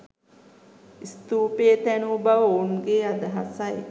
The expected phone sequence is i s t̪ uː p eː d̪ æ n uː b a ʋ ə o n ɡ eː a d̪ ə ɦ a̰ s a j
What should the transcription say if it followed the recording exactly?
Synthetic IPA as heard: i s t̪ uː p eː t̪ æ n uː b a ʋ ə o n ɡ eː a d̪ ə ɦ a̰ s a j